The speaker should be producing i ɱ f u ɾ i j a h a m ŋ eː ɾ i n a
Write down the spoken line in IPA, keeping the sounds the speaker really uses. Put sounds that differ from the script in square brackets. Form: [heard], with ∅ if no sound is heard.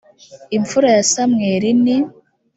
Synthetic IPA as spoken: i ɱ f u ɾ [a] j a [s] a m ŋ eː ɾ i n [i]